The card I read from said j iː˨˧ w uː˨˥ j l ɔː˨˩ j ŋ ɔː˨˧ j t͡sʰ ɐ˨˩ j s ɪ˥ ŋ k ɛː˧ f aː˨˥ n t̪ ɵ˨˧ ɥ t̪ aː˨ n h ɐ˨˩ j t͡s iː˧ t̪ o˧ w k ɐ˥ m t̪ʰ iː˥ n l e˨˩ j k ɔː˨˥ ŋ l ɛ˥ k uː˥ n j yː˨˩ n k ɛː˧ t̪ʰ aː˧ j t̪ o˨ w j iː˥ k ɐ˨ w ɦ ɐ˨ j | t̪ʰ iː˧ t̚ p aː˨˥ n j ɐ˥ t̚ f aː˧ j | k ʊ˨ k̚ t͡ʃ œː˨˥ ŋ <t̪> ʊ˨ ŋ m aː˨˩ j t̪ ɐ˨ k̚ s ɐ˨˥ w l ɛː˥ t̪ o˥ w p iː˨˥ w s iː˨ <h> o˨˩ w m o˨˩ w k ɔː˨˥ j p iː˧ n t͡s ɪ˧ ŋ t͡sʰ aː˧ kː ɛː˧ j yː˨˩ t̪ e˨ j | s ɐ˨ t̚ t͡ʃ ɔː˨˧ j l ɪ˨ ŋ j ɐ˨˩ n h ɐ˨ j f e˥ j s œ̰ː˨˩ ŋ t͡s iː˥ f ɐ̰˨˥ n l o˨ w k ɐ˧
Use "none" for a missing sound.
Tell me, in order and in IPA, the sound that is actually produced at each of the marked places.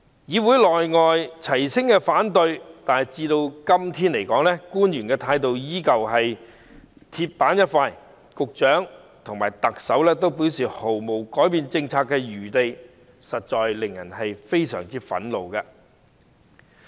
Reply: t̪ʰ, h

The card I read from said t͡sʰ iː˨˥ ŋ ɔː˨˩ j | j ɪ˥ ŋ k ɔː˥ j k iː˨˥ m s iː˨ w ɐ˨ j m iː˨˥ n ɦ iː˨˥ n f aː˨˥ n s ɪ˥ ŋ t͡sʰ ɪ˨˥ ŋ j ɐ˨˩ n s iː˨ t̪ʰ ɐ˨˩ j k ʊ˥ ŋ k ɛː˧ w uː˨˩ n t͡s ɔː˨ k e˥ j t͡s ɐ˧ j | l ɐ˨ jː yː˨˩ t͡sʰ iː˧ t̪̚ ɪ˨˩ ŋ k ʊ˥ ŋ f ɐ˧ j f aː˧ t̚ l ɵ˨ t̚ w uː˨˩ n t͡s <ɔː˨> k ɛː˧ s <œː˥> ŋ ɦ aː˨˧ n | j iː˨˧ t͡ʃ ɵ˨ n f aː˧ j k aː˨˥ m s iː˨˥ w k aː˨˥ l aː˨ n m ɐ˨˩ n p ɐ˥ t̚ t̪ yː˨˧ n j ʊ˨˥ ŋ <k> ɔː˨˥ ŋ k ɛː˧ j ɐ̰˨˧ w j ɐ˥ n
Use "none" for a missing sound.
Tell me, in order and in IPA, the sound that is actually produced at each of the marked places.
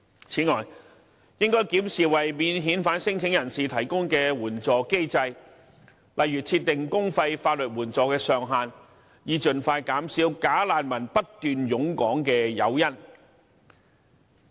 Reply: ɔː˨, œː˨, k

